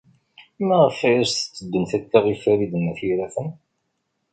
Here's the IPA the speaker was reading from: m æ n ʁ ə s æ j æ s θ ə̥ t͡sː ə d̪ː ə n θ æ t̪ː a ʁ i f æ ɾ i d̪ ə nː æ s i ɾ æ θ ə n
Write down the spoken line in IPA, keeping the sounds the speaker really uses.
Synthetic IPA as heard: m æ ʁ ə f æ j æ s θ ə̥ t͡sː ə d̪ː ə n θ æ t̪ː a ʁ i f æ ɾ i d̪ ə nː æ θ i ɾ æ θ ə n